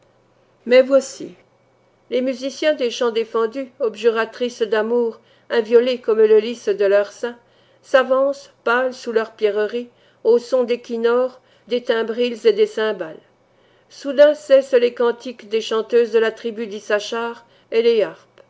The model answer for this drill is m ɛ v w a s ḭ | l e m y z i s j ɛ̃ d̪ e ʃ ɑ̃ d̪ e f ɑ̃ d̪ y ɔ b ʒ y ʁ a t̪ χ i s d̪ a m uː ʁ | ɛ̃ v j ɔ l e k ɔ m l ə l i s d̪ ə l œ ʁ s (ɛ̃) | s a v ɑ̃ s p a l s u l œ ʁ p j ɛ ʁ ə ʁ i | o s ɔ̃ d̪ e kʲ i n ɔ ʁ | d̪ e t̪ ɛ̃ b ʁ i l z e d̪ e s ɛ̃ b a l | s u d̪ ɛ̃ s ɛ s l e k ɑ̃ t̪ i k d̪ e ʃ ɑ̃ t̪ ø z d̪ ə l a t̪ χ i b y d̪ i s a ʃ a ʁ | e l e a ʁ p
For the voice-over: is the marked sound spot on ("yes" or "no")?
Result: yes